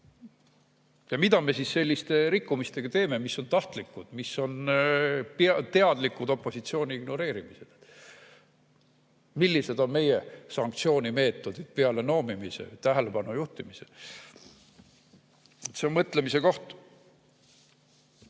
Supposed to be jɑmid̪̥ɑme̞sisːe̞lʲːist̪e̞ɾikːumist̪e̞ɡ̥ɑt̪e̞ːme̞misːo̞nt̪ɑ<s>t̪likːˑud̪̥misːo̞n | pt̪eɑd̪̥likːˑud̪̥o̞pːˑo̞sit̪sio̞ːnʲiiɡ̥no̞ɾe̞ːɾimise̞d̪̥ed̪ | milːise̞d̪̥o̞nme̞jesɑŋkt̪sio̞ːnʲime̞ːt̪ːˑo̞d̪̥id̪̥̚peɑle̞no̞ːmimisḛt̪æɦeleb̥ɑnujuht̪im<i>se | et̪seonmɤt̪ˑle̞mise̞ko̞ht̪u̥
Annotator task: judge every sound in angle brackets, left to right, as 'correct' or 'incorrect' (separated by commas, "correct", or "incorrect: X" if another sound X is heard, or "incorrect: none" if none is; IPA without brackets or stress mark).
incorrect: h, correct